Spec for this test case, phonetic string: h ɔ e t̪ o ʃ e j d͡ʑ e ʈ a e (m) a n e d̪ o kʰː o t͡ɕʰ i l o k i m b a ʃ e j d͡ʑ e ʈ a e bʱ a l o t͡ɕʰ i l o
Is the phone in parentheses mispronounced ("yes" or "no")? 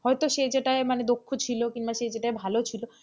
no